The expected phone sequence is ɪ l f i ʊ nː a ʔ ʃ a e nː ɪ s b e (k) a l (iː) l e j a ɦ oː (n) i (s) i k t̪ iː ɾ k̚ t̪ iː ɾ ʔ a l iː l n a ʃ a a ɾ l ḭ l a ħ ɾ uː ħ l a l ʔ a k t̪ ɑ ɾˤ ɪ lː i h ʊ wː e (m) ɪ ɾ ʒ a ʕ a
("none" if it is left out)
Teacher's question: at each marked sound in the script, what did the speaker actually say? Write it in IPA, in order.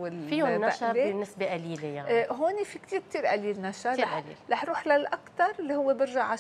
ʔ, iː, n, f, b

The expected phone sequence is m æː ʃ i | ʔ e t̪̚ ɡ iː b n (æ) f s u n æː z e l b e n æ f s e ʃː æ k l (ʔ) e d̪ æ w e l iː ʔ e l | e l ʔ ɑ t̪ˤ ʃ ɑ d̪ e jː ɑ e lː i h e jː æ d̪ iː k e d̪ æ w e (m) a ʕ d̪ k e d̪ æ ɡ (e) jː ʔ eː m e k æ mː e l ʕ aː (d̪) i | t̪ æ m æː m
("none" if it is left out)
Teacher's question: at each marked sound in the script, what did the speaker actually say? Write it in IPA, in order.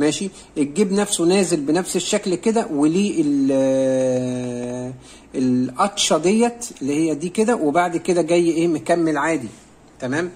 æ, k, b, æ, d̪

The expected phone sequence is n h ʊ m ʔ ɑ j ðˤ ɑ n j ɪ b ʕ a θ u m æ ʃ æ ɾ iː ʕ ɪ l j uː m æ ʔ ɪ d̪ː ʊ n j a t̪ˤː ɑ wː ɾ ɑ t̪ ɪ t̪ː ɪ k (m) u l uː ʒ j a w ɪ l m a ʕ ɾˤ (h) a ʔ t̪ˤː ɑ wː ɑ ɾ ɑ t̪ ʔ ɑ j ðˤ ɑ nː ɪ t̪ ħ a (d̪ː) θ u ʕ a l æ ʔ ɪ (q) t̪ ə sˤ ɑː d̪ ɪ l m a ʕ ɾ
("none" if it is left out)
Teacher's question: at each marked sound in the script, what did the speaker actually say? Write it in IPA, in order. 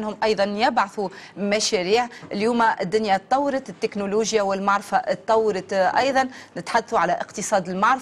n, f, d̪ː, q

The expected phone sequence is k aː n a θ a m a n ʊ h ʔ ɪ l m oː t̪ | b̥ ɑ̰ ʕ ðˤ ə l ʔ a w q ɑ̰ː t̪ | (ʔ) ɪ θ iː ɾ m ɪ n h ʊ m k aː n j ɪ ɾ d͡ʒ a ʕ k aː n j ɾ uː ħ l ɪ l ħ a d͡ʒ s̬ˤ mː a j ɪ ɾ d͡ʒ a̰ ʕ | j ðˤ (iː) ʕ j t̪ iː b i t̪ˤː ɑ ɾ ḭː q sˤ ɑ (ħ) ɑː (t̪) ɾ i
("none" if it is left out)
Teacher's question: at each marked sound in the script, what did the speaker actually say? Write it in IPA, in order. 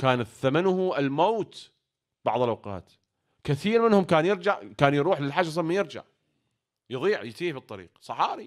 k, iː, ħ, none

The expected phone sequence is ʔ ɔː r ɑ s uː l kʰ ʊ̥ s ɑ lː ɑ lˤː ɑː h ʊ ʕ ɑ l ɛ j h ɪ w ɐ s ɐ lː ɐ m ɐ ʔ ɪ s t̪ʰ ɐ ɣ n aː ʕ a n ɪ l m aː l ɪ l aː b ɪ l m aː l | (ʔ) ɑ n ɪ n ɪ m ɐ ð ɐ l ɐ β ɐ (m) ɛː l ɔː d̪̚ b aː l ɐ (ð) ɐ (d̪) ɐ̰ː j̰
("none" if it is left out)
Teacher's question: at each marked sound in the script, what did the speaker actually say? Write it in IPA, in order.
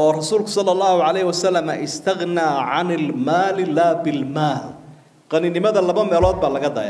q, m, ɣ, d̪

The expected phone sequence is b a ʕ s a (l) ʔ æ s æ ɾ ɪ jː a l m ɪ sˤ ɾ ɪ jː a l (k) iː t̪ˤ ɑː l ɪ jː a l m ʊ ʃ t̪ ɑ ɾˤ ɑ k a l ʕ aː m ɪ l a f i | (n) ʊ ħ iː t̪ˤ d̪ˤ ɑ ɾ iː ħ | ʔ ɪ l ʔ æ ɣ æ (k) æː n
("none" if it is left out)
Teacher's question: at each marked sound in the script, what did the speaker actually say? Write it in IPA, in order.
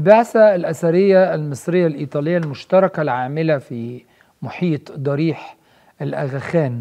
l, ʔ, m, x

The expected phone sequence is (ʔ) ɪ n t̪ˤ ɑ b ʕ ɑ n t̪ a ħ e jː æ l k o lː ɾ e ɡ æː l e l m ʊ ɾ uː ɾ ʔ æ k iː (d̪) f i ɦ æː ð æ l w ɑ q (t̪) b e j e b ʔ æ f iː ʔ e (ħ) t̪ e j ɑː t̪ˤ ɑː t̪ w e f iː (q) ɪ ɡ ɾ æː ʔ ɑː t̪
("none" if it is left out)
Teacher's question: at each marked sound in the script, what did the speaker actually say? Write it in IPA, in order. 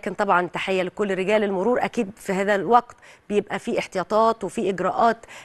k, d̪, t̪, ħ, ʔ

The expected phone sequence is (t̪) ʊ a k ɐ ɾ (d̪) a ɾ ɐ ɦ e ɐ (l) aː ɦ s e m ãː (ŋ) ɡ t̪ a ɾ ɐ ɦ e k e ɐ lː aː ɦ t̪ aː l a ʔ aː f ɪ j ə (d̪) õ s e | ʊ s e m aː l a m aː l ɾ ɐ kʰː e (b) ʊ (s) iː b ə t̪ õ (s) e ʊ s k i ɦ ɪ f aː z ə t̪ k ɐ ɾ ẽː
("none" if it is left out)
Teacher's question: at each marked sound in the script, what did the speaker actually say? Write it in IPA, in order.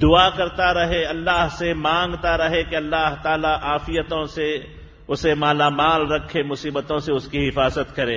d̪, t̪, lː, ŋ, t̪, m, s, s

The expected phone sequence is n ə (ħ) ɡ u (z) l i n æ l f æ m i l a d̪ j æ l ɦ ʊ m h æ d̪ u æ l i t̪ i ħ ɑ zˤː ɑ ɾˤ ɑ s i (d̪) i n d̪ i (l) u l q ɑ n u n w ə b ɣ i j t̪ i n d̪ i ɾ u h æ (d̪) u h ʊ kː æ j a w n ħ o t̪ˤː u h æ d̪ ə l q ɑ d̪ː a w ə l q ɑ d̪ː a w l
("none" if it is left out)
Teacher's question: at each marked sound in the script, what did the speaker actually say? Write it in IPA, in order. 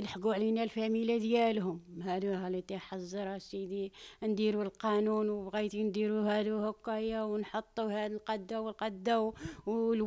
ħ, ʕ, d̪, ɾ, d̪

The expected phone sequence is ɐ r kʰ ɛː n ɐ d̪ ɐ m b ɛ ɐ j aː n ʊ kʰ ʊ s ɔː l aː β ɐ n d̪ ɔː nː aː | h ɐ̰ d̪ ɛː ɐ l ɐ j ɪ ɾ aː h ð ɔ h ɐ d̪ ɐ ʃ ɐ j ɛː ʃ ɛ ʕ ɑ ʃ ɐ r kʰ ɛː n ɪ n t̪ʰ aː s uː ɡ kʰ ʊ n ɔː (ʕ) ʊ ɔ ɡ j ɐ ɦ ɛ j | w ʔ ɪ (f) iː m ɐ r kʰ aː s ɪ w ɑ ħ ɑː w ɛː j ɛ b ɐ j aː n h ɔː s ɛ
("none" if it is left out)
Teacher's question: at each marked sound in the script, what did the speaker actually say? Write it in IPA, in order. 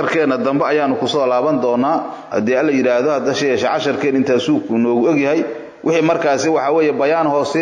ɣ, ħ

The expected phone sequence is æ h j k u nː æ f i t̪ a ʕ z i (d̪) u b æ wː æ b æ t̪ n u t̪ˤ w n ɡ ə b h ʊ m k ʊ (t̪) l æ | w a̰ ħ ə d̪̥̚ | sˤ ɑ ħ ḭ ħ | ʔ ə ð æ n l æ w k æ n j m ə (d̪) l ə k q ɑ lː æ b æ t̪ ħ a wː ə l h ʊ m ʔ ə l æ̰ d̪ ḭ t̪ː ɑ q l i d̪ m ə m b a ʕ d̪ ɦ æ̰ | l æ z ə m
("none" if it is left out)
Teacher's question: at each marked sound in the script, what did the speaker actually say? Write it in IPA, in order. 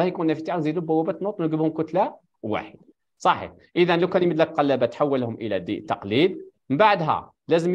d̪, t̪, d̪

